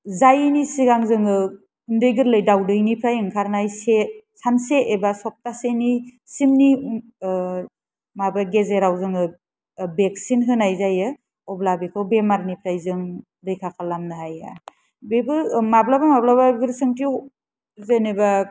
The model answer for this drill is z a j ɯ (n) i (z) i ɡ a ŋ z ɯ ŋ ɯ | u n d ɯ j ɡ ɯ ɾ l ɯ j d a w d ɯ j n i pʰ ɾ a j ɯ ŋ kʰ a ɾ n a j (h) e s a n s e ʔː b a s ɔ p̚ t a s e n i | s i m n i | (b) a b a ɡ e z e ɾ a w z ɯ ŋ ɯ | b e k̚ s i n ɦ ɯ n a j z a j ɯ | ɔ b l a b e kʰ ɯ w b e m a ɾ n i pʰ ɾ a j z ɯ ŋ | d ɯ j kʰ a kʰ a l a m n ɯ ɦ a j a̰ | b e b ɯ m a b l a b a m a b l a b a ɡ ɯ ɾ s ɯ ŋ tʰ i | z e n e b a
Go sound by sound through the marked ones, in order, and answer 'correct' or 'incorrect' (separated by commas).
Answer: correct, incorrect, incorrect, incorrect